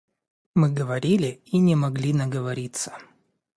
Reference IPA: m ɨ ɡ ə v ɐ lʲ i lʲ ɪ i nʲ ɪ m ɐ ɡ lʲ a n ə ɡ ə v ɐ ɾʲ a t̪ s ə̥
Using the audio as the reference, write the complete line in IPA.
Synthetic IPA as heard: m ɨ ɡ ə v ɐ ɾʲ i lʲ ɪ i nʲ ɪ m ɐ ɡ lʲ i n ə ɡ ə v ɐ ɾʲ i t̪ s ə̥